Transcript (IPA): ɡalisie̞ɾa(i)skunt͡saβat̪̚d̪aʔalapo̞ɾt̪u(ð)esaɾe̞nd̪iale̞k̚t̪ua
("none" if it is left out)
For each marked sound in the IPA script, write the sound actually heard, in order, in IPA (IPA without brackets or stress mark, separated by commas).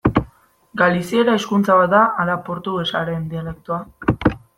e, ɣ